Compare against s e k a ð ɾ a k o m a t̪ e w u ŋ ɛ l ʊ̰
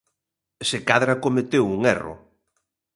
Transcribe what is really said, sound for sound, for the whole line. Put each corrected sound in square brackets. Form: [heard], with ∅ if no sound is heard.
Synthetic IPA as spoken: s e k a ð ɾ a k o m [e] t̪ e w u ŋ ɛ [r] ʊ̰